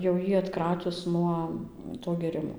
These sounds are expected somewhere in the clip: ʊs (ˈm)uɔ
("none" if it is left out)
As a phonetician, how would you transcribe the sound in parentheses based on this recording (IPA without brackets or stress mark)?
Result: n